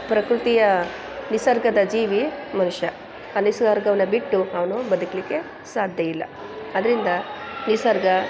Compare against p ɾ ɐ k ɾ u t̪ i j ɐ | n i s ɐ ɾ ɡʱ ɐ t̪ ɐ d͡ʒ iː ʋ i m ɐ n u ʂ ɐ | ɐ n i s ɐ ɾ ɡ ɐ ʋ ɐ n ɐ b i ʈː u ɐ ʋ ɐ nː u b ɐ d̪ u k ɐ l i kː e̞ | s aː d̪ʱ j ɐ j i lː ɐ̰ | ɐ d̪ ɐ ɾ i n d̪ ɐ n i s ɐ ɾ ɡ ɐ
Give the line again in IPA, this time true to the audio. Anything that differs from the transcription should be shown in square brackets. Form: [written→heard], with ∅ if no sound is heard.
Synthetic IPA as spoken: p ɾ ɐ k ɾ u t̪ i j ɐ | n i s ɐ ɾ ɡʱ ɐ [t̪→d̪] ɐ d͡ʒ iː ʋ i m ɐ n u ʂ ɐ | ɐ n i s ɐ ɾ ɡ ɐ ʋ ɐ n ɐ b i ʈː u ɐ ʋ ɐ [nː→n] u b ɐ d̪ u k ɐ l i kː e̞ | s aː d̪ʱ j ɐ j i lː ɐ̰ | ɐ d̪ ɐ ɾ i n d̪ ɐ n i s ɐ ɾ ɡ ɐ

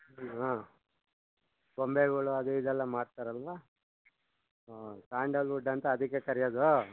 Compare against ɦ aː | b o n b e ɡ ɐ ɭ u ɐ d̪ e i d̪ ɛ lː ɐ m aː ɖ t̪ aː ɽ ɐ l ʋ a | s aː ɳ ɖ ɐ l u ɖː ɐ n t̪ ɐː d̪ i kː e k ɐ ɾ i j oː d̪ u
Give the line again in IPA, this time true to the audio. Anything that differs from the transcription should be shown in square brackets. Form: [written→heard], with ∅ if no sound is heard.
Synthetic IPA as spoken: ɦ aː | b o [n→m] b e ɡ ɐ ɭ u ɐ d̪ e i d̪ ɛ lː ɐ m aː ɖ t̪ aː [ɽ→ɾ] ɐ l ʋ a | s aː ɳ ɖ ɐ l u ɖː ɐ n t̪ ɐː d̪ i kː e k ɐ ɾ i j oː d̪ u

